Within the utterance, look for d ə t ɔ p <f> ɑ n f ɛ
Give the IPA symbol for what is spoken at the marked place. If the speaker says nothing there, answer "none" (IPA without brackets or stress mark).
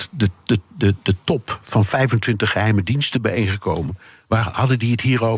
f